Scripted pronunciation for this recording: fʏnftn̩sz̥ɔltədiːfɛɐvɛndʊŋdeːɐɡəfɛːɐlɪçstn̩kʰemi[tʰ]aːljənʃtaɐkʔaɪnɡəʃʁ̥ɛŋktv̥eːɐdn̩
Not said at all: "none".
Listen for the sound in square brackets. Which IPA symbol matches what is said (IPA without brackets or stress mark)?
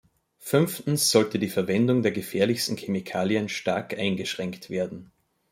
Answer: kʰ